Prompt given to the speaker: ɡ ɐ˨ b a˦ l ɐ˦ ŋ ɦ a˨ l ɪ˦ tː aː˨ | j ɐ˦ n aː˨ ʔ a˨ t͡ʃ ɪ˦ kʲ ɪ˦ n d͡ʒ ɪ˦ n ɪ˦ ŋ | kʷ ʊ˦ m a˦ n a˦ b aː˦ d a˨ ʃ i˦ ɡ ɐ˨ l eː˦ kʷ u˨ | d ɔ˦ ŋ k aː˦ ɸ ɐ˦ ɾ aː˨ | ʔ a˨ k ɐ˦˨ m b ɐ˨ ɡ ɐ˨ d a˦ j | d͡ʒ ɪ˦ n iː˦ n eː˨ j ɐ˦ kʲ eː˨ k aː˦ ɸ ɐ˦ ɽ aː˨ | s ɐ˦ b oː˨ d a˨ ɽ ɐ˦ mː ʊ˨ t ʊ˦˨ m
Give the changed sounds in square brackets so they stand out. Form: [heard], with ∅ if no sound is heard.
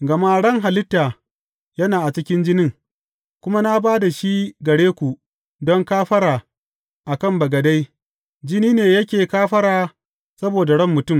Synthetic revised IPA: ɡ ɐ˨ [m] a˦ [ɽ] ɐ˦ ŋ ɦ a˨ l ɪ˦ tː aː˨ | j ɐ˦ n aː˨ ʔ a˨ t͡ʃ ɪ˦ kʲ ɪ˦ n d͡ʒ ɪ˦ n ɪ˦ ŋ | kʷ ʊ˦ m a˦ n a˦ b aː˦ d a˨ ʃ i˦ ɡ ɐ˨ [ɽ] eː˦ kʷ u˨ | d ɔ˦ ŋ k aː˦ ɸ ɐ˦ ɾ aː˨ | ʔ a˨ k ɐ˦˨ m b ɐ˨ ɡ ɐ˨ d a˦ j | d͡ʒ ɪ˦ n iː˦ n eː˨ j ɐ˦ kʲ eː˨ k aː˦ ɸ ɐ˦ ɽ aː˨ | s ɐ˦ b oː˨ d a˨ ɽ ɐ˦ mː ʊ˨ t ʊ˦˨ m